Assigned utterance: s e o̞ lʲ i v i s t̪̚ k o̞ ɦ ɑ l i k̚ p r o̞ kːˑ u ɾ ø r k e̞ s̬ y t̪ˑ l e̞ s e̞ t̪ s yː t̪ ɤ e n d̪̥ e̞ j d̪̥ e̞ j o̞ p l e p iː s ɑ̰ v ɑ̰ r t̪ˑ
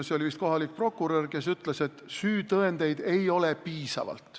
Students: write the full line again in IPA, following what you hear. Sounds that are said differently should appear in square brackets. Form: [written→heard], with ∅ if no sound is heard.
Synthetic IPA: s e o̞ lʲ i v i s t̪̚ k o̞ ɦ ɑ l i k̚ p r o̞ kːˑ u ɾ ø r k e̞ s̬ y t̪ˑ l e̞ s e̞ t̪ s yː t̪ ɤ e n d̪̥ e̞ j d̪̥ e̞ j o̞ [p→∅] l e p iː s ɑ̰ v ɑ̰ [r→l] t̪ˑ